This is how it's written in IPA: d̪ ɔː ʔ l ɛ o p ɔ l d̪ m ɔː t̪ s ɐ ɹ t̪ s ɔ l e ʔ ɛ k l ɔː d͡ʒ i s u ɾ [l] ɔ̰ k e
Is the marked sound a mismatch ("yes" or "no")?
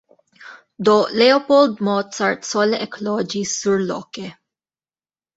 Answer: no